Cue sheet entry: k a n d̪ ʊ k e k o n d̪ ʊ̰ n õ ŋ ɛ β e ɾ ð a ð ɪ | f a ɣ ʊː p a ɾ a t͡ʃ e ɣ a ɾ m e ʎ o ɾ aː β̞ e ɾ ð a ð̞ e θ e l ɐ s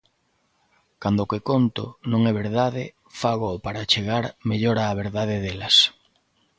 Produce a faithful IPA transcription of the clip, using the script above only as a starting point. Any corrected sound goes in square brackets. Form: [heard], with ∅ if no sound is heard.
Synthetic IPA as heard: k a n d̪ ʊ k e k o n [t̪] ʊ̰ n õ ŋ ɛ β e ɾ ð a ð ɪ | f a ɣ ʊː p a ɾ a t͡ʃ e ɣ a ɾ m e ʎ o ɾ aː β̞ e ɾ ð a ð̞ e [ð] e l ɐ s